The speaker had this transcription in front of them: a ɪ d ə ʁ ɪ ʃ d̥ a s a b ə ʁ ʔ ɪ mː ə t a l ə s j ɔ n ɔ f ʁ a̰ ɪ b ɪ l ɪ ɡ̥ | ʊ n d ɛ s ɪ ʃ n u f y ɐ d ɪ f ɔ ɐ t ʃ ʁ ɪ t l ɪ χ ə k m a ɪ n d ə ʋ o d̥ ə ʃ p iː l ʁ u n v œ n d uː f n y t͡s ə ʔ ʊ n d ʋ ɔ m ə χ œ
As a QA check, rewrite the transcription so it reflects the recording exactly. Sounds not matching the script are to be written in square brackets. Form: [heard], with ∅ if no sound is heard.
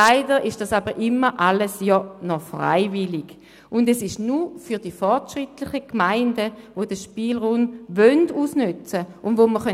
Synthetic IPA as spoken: a ɪ d ə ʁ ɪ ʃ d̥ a s a b ə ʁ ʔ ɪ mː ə [ʔ] a l ə s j ɔ n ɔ f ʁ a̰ ɪ [v] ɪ l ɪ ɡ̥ | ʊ n d ɛ s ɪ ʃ n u f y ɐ d [i] f ɔ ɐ t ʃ ʁ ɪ t l ɪ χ ə k m a ɪ n d ə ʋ o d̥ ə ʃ p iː l ʁ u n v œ n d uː [s] n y t͡s ə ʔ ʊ n d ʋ [o] m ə χ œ